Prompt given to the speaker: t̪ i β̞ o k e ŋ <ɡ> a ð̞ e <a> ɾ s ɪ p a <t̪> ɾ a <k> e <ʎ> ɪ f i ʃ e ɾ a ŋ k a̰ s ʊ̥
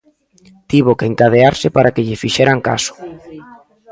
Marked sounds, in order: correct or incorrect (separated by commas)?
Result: incorrect, correct, incorrect, correct, correct